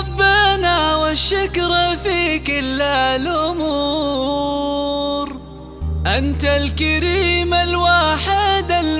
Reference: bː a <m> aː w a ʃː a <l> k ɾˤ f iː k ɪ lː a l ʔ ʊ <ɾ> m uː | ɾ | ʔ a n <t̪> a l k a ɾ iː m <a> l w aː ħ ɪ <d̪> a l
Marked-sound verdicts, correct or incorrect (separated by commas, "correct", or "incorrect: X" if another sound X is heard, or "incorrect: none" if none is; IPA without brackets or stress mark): incorrect: n, incorrect: none, incorrect: none, correct, correct, correct